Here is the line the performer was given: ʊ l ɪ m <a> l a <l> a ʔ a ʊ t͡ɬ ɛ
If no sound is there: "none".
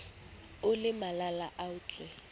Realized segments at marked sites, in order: a, l

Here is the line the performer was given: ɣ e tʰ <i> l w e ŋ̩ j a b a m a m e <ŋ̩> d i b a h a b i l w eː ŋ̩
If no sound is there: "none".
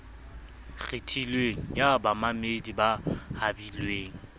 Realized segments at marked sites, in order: i, none

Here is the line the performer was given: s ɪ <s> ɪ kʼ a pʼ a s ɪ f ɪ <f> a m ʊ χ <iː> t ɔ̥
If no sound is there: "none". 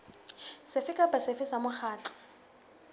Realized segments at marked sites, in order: f, s, aː

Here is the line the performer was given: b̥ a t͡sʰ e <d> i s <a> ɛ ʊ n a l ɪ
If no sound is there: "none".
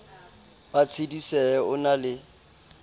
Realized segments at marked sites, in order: d, ɛ

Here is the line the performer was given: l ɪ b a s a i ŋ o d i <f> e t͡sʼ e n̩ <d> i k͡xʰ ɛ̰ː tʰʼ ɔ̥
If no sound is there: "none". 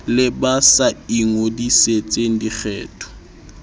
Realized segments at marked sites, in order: s, d

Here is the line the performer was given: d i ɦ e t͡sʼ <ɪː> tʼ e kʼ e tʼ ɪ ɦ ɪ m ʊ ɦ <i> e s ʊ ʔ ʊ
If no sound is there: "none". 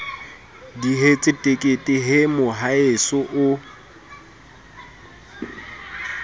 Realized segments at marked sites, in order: ɪ, a

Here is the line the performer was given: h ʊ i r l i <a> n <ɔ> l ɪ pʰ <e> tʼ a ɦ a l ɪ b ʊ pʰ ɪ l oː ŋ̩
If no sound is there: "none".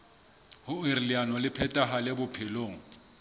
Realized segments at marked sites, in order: a, ɔ, ɛ

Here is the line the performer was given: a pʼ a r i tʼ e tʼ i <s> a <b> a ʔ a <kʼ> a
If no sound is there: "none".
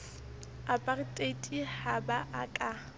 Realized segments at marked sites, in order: h, b, kʼ

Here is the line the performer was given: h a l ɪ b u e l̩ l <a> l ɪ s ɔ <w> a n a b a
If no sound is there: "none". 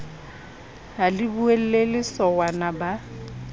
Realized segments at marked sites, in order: e, w

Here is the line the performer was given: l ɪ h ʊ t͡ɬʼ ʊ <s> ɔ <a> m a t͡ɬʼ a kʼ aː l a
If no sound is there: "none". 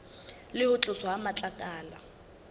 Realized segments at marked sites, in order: s, a

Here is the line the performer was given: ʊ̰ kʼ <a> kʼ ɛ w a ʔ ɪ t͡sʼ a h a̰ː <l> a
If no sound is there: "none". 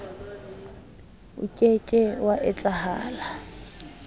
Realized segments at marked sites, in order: e, l

